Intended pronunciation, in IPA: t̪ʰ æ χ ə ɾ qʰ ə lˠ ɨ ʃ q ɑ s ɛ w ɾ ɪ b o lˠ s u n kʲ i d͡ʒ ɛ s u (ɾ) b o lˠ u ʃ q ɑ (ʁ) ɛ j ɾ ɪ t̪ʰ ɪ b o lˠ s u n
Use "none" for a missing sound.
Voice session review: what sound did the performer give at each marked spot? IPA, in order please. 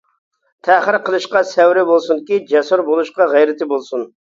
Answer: ɾ, ʁ

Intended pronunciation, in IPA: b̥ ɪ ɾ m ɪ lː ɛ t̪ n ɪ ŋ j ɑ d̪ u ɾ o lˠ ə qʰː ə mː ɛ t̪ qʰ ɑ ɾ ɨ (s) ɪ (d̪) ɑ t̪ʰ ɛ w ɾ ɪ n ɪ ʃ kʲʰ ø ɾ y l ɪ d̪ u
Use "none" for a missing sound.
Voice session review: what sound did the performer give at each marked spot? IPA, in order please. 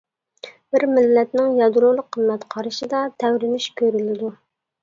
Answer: ʃ, d̪

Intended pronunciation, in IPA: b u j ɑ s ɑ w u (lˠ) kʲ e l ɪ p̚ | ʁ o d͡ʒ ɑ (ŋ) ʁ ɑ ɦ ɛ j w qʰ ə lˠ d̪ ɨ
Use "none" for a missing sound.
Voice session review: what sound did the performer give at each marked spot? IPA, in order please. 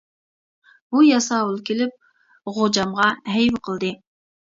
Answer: lˠ, m

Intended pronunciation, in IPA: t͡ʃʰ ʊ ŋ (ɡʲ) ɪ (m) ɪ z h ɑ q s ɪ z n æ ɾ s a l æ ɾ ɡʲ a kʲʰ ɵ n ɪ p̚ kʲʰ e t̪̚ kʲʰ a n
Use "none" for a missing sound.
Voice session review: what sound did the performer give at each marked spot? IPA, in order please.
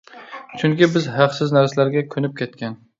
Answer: kʲ, b

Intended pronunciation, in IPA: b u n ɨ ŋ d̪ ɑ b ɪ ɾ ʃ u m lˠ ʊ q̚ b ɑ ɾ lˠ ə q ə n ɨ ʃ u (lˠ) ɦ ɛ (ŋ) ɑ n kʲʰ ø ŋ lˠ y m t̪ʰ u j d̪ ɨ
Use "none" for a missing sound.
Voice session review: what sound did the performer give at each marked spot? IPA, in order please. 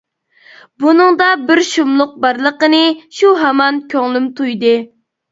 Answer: none, m

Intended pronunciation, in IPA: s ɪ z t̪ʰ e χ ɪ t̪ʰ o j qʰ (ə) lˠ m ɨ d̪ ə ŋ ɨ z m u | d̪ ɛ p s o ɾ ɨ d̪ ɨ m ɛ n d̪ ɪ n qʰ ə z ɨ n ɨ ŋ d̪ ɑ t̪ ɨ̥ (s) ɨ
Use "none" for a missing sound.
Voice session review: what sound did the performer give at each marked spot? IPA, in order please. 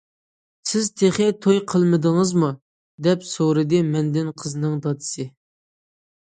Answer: ə, s

